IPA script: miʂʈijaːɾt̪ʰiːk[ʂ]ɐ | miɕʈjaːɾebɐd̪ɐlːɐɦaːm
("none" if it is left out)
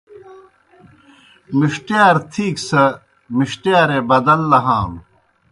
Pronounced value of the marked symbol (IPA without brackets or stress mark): s